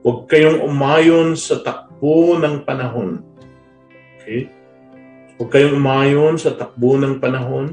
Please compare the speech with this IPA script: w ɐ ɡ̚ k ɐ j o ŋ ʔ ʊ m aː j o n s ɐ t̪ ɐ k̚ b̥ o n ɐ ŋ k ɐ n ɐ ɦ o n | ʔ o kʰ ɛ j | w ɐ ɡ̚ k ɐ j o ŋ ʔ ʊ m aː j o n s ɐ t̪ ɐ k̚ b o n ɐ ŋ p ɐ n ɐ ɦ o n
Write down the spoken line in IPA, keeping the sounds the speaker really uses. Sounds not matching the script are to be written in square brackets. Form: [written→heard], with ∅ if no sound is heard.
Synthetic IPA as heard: w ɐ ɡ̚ k ɐ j o ŋ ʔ ʊ m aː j o n s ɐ t̪ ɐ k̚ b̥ o n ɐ ŋ [k→p] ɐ n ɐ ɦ o n | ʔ o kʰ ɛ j | w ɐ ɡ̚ k ɐ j o ŋ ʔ ʊ m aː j o n s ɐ t̪ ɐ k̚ b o n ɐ ŋ p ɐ n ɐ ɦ o n